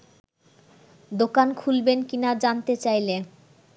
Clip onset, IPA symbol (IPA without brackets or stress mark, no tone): d̪